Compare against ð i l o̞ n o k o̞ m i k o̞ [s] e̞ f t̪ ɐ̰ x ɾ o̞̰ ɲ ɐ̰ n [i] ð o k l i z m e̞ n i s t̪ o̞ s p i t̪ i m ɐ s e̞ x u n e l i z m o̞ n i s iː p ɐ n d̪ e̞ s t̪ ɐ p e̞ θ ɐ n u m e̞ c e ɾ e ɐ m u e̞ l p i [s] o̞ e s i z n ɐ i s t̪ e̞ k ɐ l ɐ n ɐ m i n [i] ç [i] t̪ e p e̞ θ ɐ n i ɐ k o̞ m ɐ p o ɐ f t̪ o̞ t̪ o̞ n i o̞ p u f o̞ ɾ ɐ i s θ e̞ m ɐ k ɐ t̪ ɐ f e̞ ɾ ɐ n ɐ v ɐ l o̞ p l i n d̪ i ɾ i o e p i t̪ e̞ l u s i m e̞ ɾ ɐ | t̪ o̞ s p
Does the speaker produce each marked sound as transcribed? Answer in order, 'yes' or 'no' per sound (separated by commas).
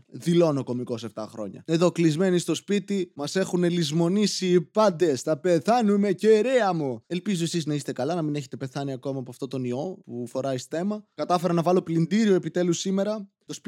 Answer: yes, no, no, no, no